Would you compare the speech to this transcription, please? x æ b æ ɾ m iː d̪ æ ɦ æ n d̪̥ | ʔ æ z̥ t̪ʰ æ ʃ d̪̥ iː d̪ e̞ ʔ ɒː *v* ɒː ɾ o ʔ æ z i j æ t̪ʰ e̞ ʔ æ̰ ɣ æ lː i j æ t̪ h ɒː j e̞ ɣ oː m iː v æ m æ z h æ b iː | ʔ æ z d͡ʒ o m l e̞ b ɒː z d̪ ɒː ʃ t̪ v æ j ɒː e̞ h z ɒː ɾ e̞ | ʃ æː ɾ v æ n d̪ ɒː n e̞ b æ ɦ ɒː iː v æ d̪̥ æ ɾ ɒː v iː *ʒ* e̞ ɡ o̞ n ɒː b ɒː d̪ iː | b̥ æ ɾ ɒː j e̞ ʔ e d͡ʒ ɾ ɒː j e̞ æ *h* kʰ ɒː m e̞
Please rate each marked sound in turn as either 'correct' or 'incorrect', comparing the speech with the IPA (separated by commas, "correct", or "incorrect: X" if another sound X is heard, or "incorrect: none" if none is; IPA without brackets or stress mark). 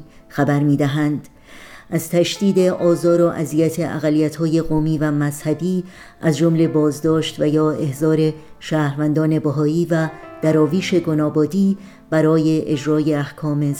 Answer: incorrect: z, incorrect: ʃ, correct